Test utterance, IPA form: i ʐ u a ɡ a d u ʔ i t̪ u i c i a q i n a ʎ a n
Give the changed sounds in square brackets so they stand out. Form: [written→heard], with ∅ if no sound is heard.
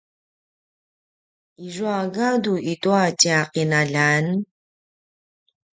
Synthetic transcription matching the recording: i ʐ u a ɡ a d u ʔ i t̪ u [i→a] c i a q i n a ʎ a n